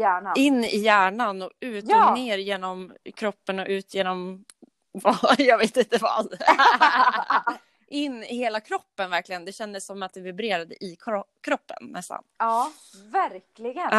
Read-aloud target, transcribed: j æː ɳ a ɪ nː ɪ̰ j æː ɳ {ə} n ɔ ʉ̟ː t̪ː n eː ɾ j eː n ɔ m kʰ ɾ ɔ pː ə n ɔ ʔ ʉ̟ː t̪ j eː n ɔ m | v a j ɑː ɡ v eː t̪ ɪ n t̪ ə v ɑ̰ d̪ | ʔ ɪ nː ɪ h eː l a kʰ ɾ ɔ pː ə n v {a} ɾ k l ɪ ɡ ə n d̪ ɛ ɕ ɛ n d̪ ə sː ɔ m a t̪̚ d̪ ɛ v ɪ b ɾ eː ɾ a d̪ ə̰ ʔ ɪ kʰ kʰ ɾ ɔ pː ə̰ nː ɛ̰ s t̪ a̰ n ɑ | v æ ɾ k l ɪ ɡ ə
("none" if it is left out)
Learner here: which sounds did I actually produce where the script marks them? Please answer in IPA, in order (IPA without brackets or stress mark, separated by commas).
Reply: a, æ